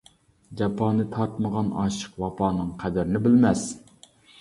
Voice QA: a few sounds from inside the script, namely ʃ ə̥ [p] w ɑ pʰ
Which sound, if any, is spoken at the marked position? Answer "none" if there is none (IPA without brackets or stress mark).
q